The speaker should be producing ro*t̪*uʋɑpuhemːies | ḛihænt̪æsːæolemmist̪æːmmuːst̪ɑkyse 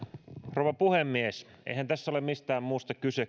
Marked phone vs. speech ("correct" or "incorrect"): incorrect